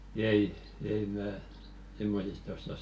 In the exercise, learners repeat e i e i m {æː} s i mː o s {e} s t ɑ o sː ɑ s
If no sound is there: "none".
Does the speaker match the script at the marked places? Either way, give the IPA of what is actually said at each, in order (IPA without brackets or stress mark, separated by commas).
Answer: æː, i